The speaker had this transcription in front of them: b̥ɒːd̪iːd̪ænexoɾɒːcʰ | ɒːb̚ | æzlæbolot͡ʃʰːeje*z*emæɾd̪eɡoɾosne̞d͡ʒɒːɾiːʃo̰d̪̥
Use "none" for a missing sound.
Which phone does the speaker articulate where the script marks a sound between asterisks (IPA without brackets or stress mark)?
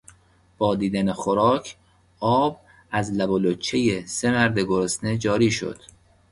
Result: s